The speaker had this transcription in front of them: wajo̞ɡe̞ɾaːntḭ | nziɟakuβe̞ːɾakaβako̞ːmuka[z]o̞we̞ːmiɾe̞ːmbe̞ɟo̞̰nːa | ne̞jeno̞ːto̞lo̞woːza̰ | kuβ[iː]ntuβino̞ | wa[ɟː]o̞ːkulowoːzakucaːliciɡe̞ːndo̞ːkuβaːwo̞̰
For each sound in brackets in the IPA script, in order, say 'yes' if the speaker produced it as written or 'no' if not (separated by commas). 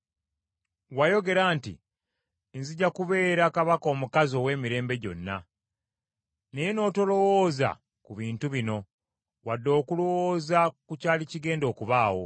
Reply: yes, yes, no